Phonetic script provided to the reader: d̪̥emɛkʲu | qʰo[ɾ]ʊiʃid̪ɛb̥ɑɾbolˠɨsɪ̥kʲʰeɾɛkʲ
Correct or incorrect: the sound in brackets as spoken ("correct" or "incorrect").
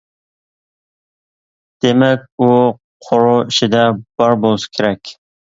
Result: correct